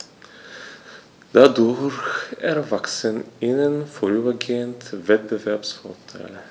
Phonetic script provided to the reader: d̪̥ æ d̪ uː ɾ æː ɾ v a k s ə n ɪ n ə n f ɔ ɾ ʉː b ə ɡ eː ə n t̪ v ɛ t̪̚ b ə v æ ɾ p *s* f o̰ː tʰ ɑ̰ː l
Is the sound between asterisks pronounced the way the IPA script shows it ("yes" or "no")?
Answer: yes